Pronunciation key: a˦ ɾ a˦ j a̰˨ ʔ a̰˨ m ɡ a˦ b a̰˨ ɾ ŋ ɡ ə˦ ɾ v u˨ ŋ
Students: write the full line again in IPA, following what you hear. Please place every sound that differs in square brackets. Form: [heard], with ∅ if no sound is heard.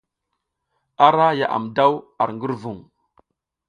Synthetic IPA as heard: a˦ ɾ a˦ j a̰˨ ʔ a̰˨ m [d] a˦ [w] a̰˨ ɾ ŋ ɡ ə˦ ɾ v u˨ ŋ